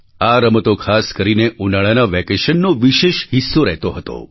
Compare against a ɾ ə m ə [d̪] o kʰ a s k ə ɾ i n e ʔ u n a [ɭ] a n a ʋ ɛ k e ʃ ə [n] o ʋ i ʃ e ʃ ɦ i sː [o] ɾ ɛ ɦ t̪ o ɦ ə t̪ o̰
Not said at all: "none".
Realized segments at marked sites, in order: t̪, ɭ, nː, o

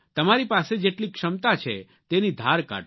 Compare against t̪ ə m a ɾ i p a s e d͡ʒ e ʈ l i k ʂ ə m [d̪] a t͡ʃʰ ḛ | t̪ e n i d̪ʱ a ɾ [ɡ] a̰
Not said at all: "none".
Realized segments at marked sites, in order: t̪, k

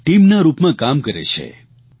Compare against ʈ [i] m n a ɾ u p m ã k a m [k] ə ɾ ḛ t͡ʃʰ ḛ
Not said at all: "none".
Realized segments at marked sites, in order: i, k

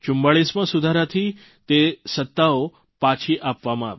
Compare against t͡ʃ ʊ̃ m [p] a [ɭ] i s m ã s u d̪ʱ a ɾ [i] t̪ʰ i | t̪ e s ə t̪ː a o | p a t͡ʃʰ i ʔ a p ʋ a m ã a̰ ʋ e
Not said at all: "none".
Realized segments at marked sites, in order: b, ɭ, a

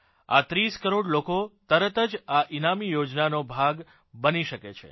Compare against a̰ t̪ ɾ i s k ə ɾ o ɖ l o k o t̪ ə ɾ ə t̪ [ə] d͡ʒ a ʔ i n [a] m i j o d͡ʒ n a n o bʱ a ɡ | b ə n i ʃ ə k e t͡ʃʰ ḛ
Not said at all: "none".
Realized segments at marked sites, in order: ə, a

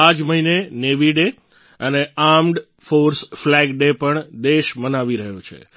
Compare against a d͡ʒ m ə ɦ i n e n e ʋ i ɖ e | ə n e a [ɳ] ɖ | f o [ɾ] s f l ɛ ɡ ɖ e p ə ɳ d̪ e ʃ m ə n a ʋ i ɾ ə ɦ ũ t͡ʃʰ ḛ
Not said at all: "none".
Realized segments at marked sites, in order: m, ɾ

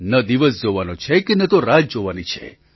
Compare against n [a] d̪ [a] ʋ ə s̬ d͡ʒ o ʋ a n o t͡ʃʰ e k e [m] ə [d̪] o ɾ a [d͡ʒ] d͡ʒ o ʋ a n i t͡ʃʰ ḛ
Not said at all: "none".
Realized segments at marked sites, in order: ə, i, n, t̪, d͡ʒ

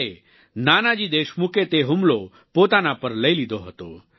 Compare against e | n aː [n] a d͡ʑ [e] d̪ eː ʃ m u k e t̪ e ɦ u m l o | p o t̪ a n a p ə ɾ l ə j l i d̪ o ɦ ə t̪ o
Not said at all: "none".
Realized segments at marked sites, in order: n, i

